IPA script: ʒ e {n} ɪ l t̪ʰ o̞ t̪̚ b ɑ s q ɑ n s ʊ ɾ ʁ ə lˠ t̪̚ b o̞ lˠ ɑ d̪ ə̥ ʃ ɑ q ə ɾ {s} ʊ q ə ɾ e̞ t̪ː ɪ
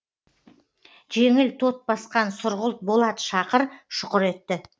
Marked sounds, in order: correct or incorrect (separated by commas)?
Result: incorrect, incorrect